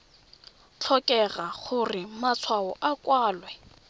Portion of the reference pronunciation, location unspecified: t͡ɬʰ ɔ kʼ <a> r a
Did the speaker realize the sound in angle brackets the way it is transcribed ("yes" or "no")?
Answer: no